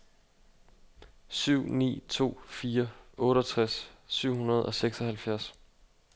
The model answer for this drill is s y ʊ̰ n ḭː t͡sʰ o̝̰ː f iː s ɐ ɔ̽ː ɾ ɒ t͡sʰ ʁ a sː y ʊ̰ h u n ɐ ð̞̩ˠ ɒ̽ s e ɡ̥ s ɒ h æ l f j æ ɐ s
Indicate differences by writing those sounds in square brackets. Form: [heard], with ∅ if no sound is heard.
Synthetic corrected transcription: s y ʊ̰ n ḭː t͡sʰ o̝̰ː f iː [∅] ɐ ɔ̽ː ɾ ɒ t͡sʰ ʁ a sː y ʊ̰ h u n ɐ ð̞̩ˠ ɒ̽ s e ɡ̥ s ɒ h æ l f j æ ɐ s